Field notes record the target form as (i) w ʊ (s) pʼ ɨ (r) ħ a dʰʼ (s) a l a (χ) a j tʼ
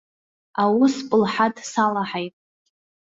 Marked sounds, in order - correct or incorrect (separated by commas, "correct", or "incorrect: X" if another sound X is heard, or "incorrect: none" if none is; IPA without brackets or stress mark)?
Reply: incorrect: a, correct, incorrect: l, correct, incorrect: ħ